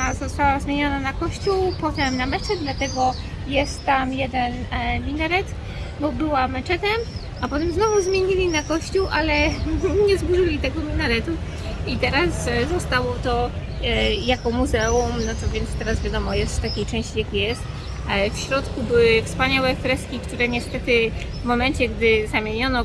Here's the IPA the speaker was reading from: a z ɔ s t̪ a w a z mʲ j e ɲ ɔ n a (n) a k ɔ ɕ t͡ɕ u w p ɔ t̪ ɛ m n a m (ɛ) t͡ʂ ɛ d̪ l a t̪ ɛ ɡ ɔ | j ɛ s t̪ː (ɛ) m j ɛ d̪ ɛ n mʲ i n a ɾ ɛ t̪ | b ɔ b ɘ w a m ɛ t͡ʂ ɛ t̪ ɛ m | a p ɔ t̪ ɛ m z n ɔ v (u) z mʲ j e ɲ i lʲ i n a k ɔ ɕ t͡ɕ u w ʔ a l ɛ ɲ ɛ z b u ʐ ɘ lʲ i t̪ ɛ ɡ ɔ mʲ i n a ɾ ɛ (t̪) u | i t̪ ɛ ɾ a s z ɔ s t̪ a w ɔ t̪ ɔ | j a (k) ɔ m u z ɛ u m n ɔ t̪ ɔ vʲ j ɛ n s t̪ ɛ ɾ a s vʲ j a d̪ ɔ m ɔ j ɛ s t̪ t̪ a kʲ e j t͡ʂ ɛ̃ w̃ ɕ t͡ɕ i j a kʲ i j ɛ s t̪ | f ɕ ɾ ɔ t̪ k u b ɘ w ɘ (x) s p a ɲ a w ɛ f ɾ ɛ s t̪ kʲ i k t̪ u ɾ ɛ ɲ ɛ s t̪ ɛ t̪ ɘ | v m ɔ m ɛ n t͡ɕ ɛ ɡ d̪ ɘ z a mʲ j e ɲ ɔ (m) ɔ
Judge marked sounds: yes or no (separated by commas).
yes, yes, no, yes, yes, yes, no, no